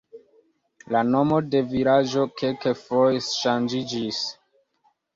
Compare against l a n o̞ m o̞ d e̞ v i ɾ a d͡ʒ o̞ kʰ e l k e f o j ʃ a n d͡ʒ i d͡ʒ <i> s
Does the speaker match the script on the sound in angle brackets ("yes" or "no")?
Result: yes